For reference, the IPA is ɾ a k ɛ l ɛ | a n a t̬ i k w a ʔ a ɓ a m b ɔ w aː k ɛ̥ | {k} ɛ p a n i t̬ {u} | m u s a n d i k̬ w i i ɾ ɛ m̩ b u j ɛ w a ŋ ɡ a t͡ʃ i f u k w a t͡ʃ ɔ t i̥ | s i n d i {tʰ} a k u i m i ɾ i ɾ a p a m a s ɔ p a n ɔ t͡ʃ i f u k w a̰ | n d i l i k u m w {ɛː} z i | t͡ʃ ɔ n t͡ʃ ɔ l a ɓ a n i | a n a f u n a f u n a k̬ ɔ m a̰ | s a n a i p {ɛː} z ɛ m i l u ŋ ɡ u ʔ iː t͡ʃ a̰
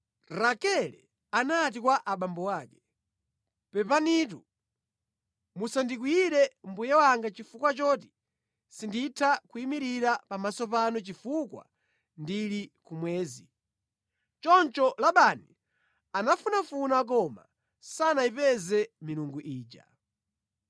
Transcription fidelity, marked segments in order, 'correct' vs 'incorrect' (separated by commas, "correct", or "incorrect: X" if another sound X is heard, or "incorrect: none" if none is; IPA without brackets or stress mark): incorrect: p, correct, correct, correct, incorrect: ɛ